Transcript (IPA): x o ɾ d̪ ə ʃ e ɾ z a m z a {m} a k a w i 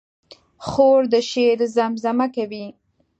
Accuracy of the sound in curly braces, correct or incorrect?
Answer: correct